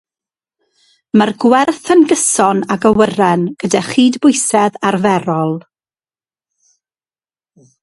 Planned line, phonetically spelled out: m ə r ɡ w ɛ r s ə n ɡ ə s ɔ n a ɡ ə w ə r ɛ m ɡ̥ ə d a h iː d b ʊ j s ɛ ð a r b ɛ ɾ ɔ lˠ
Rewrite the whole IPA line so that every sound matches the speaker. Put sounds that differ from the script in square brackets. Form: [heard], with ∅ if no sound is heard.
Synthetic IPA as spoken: m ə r ɡ w ɛ r [θ] ə n ɡ ə s ɔ n a ɡ ə w ə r ɛ [n] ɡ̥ ə d a [χ] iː d b ʊ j s ɛ ð a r [v] ɛ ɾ ɔ lˠ